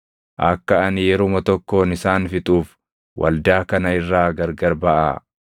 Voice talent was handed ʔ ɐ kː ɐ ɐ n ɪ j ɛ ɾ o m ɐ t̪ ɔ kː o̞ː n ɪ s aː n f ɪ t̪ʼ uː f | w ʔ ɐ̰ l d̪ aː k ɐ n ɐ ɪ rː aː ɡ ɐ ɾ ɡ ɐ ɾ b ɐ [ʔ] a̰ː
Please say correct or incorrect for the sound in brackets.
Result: correct